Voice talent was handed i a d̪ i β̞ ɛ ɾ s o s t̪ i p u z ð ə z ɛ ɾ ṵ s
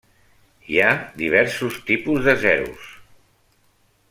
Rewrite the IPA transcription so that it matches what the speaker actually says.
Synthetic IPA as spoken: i a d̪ i β̞ ɛ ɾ s u s t̪ i p u z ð ə z ɛ ɾ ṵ s